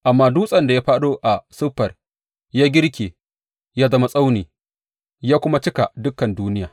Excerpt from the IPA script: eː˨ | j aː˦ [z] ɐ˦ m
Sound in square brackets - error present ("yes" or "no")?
no